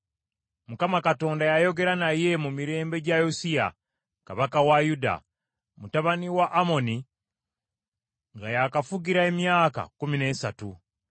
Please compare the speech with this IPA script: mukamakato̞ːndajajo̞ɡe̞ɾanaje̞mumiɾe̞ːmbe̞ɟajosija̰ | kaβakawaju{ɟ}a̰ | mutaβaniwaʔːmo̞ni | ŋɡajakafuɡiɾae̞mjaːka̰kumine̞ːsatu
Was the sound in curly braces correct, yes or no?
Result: no